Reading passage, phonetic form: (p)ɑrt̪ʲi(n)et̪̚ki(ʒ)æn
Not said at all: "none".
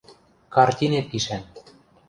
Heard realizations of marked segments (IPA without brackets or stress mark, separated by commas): k, n, ʃ